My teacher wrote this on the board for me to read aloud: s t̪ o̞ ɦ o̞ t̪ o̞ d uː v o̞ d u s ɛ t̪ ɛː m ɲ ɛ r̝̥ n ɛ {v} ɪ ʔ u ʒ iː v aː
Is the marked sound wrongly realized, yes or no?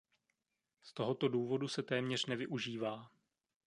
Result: no